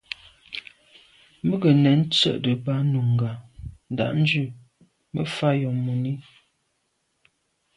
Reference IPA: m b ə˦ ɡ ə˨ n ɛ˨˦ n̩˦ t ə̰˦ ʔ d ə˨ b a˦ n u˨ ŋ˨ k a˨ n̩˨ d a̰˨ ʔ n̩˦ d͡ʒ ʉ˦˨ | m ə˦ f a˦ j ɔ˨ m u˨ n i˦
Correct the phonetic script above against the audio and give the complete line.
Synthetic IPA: m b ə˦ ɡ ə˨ n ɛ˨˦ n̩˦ t͡s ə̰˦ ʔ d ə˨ b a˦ n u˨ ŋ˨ ɡ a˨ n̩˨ d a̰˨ ʔ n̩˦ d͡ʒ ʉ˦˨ | m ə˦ f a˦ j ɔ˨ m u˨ n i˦